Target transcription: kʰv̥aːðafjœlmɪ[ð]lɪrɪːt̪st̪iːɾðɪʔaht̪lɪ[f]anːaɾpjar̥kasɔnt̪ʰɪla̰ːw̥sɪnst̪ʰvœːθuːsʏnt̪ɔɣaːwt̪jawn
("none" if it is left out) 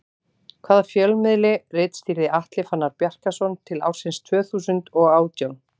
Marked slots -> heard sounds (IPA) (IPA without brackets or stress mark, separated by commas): ð, f